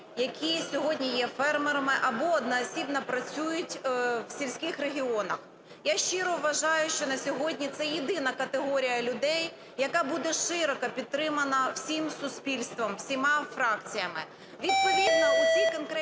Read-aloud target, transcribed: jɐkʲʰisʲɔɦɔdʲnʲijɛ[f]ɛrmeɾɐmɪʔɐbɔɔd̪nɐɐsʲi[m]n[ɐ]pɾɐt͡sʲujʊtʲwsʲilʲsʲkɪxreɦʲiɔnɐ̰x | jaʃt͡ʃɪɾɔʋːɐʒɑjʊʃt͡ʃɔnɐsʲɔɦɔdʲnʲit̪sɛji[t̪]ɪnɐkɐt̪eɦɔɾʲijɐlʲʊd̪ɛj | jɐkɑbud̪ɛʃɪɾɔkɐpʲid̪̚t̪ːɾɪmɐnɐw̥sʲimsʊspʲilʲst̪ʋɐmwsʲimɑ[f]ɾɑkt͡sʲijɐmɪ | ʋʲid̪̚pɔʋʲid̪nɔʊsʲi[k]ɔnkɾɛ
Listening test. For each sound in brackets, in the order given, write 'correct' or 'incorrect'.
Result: correct, incorrect: b, correct, incorrect: d̪, correct, correct

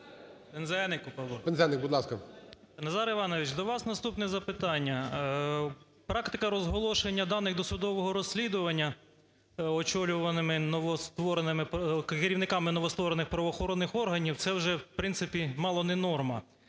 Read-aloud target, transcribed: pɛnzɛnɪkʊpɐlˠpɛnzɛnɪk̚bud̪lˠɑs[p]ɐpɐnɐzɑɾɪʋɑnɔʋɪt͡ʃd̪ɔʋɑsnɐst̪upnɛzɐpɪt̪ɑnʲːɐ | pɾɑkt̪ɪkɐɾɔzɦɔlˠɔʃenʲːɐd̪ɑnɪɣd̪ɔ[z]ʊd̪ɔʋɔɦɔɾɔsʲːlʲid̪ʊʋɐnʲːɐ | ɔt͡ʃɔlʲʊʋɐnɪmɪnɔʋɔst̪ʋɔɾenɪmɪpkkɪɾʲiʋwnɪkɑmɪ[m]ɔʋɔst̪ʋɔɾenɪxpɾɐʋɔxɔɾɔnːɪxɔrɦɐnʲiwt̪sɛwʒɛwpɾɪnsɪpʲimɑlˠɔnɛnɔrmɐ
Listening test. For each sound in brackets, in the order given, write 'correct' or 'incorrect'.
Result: incorrect: k, incorrect: s, incorrect: n

